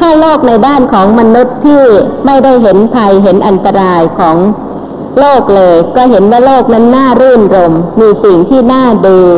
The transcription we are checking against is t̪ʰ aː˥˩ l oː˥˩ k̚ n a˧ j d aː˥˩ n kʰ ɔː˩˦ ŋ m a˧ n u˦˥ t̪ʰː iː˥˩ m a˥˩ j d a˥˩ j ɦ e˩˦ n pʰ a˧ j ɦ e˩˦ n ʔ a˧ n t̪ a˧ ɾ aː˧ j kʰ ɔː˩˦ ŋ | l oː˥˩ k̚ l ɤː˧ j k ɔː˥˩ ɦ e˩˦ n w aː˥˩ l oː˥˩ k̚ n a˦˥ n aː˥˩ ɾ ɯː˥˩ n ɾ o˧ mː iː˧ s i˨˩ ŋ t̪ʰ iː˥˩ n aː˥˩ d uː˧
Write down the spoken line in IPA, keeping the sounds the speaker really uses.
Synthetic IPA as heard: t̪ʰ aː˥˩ l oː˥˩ k̚ n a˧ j d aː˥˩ n kʰ ɔː˩˦ ŋ m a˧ n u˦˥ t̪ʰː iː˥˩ m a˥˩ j d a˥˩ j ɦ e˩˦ n pʰ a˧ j ɦ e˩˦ n ʔ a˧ n t̪ a˧ ɾ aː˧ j kʰ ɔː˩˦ ŋ | l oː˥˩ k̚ l ɤː˧ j k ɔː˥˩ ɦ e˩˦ n w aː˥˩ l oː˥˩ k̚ n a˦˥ nː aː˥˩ ɾ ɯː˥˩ n ɾ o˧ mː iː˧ s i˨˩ ŋ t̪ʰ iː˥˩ n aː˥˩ d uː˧